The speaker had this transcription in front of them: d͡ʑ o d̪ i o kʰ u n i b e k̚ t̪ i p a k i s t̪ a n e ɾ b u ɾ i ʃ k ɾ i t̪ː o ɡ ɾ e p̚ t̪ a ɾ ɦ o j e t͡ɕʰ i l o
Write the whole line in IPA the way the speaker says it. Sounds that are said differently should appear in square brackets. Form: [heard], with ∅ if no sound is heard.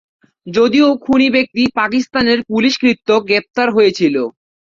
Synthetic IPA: d͡ʑ o d̪ i o kʰ u n i b e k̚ t̪ i p a k i s t̪ a n e ɾ [p] u [l] i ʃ k ɾ i t̪ː o ɡ ɾ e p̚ t̪ a ɾ ɦ o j e t͡ɕʰ i l o